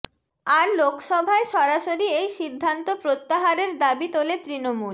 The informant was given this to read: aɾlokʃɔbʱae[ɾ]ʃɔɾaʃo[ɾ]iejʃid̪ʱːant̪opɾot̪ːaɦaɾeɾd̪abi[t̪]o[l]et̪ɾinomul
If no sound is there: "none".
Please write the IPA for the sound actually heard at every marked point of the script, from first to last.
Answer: none, ɾ, t̪, l

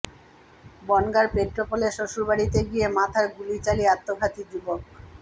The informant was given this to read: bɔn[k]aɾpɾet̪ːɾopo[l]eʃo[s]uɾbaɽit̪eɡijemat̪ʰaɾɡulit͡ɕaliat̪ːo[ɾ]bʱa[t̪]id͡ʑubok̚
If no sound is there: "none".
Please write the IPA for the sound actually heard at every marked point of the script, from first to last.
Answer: ɡ, l, ʃ, none, t̪

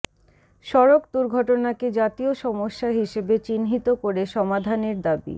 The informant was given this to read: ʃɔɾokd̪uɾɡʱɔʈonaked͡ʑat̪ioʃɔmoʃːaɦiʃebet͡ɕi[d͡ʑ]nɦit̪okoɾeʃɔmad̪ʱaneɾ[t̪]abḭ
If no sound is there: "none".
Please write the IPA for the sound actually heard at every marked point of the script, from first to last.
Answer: none, d̪

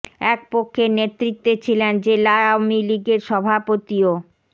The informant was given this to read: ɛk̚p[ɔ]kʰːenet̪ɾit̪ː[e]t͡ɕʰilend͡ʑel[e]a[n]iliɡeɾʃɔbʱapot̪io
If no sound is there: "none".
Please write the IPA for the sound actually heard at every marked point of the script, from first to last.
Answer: o, e, a, m

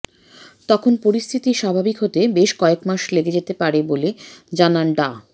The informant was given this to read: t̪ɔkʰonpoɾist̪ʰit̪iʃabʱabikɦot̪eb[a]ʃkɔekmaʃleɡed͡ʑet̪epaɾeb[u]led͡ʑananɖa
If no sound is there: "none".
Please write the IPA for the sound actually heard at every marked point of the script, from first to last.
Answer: e, o

